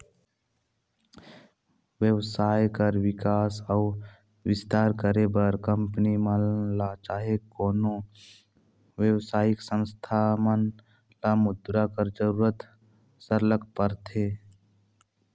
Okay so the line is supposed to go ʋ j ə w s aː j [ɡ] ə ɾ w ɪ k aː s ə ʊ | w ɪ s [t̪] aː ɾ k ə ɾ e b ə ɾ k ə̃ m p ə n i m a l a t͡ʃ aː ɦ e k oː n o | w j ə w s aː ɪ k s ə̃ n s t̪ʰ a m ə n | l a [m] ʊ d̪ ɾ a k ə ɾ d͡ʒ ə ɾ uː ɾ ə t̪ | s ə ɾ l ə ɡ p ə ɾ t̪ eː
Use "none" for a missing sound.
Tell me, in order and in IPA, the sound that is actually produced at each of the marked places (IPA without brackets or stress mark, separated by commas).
k, t̪, m